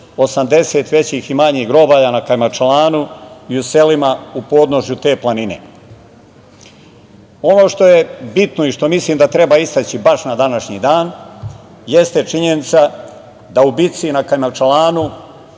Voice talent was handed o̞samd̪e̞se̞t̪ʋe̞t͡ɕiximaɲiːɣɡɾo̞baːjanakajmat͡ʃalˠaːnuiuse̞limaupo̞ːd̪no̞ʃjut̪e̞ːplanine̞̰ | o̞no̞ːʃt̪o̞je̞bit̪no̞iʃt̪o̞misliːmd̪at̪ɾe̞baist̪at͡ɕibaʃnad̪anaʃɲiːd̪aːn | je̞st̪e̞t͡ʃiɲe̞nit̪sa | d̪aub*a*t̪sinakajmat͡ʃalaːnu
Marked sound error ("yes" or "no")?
yes